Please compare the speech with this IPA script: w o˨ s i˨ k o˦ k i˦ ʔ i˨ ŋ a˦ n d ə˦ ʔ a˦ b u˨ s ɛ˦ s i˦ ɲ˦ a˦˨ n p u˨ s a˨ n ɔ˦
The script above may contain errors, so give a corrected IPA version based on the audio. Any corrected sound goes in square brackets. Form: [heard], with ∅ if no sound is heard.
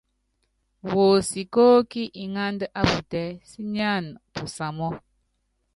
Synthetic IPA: w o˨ s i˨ k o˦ k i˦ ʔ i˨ ŋ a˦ n d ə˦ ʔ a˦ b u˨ [t] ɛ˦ s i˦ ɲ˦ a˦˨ n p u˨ s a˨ [m] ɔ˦